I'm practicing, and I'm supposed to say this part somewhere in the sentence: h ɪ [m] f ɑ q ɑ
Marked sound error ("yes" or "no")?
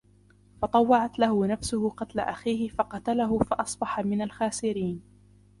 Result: yes